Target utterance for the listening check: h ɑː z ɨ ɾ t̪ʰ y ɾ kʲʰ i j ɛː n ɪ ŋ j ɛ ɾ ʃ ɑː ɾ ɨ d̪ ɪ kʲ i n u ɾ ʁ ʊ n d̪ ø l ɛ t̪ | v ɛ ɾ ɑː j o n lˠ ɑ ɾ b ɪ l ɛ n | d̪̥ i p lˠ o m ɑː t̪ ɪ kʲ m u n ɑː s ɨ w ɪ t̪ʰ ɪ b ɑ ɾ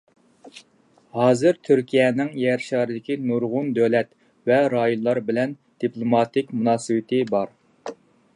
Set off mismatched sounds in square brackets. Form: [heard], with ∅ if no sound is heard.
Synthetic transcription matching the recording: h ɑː z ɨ ɾ t̪ʰ y ɾ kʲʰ i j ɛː n ɪ ŋ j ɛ ɾ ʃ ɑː ɾ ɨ d̪ ɪ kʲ i n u ɾ ʁ ʊ n d̪ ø l ɛ t̪ | v ɛ ɾ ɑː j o n lˠ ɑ ɾ b ɪ l ɛ n | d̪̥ i p lˠ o m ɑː t̪ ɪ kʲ m u n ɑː s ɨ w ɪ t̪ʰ ɪ b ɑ ɾ